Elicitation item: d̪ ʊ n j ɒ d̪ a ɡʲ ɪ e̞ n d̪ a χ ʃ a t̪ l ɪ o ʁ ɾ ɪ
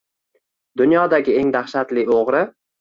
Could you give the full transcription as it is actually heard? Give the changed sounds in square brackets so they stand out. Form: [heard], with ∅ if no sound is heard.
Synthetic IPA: d̪ ʊ n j ɒ d̪ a ɡʲ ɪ e̞ [ŋ] d̪ a χ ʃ a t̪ l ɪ o ʁ ɾ ɪ